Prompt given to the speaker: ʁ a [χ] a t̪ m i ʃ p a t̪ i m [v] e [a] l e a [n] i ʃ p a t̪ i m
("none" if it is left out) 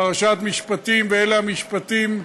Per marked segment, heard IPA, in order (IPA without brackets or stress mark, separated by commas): ʃ, v, e, m